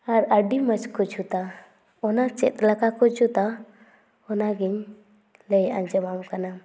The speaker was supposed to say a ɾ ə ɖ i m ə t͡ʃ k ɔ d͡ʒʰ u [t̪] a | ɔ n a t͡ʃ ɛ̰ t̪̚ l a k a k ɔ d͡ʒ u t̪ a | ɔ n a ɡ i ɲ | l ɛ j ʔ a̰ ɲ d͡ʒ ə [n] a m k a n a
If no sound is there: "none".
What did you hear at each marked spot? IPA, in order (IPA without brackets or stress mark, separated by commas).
t̪, m